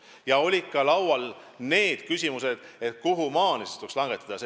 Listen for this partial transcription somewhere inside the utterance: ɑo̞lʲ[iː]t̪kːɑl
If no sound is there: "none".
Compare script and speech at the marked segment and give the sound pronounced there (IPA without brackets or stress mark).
i